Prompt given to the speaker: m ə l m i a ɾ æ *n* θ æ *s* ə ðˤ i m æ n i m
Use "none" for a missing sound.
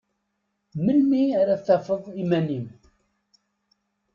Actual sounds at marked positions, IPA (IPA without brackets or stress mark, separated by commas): none, f